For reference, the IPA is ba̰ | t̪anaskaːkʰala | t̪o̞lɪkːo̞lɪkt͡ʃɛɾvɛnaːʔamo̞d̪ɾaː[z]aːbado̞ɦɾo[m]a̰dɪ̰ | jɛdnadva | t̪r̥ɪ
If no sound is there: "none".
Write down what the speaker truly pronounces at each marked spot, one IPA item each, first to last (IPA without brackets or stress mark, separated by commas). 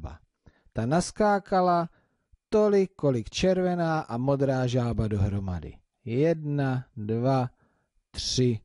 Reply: ʒ, m